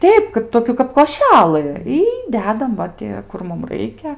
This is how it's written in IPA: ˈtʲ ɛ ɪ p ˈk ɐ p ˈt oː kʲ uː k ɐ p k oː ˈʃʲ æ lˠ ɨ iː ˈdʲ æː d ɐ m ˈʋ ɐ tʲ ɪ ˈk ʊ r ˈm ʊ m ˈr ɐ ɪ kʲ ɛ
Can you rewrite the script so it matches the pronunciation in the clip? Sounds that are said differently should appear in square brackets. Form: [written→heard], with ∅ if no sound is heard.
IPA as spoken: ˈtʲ ɛ ɪ p ˈk ɐ p ˈt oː kʲ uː k ɐ p k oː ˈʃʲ æ lˠ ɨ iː ˈdʲ æː d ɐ m ˈʋ ɐ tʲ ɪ ˈk ʊ r ˈm ʊ m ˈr ɐ ɪ kʲ ɛ